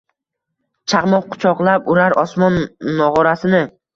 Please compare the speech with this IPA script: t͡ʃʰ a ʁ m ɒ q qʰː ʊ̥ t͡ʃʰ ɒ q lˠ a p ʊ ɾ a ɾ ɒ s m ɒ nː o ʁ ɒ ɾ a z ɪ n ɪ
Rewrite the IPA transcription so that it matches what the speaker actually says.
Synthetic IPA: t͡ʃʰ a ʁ m ɒ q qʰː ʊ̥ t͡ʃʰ ɒ q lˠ a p ʊ ɾ a ɾ ɒ s m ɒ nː ɒ ʁ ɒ ɾ a s ɪ n ɪ